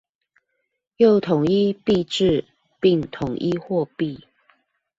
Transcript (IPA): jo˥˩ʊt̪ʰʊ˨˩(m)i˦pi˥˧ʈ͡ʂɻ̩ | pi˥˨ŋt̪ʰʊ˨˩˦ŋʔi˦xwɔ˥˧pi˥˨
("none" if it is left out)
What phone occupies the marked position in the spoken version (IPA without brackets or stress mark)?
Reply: ŋ